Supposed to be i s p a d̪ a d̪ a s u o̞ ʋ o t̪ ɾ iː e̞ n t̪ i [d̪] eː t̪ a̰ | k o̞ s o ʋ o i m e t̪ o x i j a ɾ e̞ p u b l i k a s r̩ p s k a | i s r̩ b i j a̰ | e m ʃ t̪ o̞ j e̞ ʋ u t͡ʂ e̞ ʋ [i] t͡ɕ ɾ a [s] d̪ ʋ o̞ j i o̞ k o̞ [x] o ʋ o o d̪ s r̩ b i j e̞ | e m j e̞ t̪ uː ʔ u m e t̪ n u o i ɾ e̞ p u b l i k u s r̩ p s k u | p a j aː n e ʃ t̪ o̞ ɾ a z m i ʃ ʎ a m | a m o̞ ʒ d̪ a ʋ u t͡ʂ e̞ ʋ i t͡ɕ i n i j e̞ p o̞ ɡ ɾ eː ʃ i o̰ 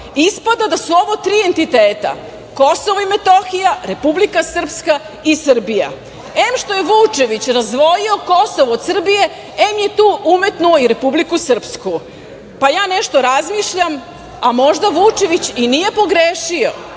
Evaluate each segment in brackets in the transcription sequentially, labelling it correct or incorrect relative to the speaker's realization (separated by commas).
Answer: incorrect, correct, incorrect, incorrect